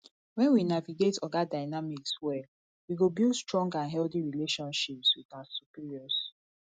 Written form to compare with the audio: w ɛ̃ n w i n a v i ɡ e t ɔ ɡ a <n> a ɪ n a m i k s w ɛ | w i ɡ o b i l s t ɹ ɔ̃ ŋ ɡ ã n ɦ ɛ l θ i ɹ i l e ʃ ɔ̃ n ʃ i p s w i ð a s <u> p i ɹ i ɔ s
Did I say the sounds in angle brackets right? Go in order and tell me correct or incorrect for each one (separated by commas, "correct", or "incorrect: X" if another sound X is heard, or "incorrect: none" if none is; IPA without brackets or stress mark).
incorrect: d, correct